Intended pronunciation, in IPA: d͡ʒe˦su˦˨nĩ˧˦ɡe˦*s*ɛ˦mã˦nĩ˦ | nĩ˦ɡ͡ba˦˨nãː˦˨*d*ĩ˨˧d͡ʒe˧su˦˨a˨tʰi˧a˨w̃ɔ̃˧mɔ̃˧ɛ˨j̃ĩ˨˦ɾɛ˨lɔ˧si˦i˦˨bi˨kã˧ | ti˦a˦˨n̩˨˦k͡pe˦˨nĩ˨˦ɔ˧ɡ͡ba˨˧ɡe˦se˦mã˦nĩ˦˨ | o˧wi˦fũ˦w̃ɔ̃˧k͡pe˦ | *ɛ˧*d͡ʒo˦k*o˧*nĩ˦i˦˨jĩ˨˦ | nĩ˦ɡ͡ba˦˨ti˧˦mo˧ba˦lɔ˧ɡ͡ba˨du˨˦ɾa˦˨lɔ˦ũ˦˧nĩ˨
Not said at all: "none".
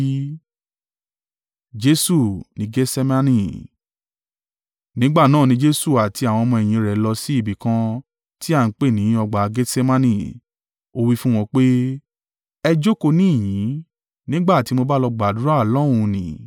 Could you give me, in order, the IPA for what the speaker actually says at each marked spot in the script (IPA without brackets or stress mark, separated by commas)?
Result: s, n, ɛ˧, o˧